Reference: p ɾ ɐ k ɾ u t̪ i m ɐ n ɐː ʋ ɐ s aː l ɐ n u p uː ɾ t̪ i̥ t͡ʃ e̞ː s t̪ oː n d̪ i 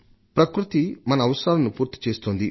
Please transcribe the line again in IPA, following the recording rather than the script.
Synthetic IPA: p ɾ ɐ k ɾ u t̪ i m ɐ n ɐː ʋ ɐ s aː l ɐ n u p uː ɾ t̪ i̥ t͡ʃ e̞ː s t̪ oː n d̪ i